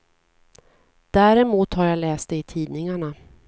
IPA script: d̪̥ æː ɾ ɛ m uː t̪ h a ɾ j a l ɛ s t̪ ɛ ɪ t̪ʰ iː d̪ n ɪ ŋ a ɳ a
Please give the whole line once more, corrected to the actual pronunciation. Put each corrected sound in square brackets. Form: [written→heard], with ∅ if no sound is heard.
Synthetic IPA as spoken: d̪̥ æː ɾ ɛ m uː t̪ h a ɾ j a l [ɛ→ɛː] s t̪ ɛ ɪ t̪ʰ iː d̪ n ɪ ŋ a ɳ a